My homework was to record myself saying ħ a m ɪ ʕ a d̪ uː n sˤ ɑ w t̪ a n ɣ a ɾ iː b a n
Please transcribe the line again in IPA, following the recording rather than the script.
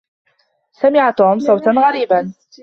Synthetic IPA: s a m ɪ ʕ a t̪ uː m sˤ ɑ w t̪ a n ɣ a ɾ iː b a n